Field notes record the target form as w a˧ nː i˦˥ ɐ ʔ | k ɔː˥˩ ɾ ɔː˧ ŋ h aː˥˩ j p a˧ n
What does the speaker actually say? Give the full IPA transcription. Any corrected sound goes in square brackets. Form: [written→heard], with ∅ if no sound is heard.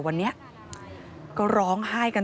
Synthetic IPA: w a˧ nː i˦˥ ɐ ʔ | k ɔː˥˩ ɾ [ɔː˧→ɔː˦˥] ŋ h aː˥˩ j [p→k] a˧ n